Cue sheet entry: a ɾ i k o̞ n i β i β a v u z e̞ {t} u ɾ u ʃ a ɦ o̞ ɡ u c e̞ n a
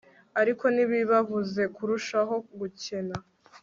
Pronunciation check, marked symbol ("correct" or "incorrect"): incorrect